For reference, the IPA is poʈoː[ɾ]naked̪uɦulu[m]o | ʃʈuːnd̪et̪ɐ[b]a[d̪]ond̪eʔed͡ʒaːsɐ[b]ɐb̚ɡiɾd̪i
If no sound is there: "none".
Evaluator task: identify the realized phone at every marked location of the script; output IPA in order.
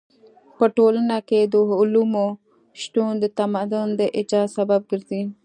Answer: l, m, m, d̪, b

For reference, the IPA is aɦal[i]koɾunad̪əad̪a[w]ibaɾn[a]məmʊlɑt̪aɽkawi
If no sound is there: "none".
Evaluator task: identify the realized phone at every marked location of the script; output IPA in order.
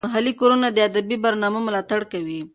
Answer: i, b, ɑ

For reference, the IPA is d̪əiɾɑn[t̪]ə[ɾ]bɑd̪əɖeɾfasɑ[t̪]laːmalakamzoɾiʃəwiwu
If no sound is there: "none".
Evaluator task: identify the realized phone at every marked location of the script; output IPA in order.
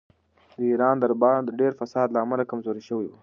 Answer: d̪, ɾ, d̪

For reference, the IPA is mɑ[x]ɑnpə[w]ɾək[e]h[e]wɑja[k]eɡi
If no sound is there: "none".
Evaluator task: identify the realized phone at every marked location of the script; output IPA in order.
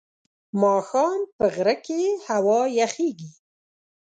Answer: x, ɣ, e, a, x

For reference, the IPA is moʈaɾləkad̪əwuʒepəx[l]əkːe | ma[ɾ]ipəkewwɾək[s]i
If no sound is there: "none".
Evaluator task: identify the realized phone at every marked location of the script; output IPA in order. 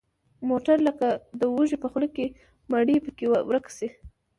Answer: l, ɽ, s

